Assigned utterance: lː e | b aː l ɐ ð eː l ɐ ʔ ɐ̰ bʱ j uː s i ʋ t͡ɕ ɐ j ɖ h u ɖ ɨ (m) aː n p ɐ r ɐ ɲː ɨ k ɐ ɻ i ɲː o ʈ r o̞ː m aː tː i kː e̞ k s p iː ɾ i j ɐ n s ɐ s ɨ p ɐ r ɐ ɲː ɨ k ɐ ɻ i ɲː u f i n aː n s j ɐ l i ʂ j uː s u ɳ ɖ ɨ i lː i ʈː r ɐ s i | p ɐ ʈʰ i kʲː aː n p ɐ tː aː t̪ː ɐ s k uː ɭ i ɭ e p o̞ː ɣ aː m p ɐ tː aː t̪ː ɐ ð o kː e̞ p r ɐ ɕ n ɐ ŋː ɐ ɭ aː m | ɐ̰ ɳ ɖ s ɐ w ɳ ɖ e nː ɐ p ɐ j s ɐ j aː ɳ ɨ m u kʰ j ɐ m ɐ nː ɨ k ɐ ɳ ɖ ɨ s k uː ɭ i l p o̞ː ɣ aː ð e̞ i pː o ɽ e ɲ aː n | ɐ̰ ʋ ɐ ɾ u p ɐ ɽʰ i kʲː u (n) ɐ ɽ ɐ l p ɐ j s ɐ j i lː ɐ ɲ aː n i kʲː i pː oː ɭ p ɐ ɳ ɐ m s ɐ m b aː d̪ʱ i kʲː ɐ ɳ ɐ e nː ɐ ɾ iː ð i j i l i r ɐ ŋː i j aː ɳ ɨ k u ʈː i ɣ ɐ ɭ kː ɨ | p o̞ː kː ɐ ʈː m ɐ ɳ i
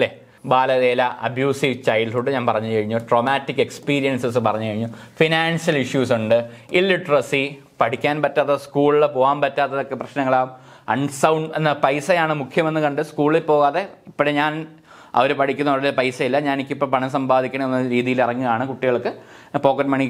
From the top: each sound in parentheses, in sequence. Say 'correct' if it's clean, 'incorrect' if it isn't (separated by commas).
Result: incorrect, incorrect